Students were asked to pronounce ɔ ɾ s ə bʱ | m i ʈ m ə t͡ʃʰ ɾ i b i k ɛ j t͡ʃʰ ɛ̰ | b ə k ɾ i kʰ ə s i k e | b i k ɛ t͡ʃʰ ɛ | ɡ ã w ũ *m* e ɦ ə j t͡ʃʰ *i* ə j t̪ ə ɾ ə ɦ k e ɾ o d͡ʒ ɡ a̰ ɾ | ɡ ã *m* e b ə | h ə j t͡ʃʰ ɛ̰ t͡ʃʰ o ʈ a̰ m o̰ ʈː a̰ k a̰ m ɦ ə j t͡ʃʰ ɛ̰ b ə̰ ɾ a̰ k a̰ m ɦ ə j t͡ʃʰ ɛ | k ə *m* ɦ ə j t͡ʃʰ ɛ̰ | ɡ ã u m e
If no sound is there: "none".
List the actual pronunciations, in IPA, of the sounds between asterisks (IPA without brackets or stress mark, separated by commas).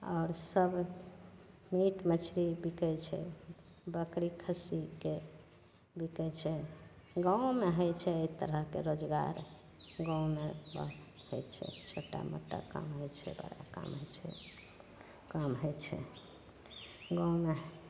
m, ɛ, m, m